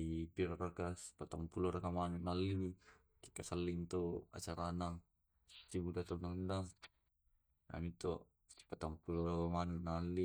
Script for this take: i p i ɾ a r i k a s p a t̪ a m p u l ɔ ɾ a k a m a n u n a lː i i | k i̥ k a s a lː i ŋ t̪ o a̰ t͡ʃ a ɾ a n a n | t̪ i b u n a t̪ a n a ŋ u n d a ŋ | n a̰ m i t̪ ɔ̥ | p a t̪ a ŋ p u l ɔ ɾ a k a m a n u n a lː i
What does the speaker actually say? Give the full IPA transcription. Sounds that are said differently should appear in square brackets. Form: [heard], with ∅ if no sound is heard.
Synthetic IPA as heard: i p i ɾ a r [a] k a s p a t̪ a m p u l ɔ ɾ a k a m a n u n a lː i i | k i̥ k a s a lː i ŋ t̪ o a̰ t͡ʃ a ɾ a n a [ŋ] | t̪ i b u [d] a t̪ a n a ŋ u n d a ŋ | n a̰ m i t̪ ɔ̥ | p a t̪ a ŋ p u l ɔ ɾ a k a m a n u n a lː i

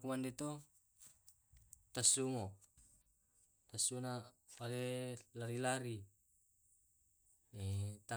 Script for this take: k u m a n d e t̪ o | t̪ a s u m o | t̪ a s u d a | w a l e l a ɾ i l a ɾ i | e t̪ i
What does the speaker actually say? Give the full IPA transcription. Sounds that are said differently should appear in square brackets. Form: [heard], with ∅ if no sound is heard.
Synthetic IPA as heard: k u m a n d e t̪ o | t̪ a s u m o | t̪ a s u [n] a | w a l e l a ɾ i l a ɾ i | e t̪ [a]

